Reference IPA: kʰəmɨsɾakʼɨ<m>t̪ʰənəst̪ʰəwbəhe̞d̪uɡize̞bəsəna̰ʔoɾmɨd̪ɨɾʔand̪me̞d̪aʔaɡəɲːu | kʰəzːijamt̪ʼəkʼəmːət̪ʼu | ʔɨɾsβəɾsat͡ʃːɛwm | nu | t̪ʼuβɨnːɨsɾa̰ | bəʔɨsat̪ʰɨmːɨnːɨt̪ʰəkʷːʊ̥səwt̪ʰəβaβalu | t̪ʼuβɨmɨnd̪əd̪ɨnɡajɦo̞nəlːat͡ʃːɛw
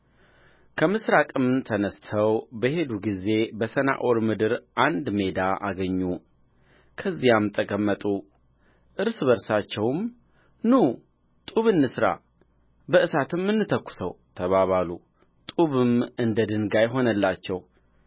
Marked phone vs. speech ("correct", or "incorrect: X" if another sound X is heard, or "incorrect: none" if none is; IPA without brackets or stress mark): correct